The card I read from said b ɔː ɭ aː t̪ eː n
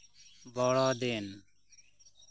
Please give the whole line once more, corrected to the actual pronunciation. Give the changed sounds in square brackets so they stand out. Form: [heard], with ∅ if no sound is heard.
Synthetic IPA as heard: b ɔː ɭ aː [d̪] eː n